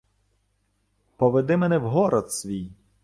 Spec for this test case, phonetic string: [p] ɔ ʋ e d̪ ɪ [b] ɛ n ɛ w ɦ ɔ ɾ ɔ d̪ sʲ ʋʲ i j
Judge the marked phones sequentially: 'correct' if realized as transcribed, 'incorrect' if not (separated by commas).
correct, incorrect